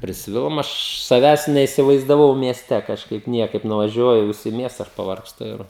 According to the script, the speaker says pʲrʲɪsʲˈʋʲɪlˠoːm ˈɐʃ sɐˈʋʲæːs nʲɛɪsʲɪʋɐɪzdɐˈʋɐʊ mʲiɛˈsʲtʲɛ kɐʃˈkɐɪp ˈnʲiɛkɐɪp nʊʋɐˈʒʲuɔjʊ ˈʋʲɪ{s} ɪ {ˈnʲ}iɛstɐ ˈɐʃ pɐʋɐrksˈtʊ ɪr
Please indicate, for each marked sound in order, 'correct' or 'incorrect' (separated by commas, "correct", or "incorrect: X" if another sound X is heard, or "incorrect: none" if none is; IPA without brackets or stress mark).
correct, incorrect: mʲ